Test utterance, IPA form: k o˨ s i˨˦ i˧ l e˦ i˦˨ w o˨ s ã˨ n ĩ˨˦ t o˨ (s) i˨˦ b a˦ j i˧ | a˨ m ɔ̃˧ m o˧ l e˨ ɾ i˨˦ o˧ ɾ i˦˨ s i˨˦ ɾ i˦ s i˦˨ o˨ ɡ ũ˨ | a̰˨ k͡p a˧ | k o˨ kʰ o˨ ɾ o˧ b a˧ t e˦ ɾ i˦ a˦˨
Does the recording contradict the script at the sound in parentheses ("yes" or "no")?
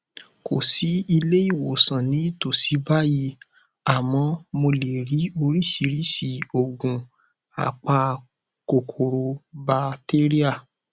no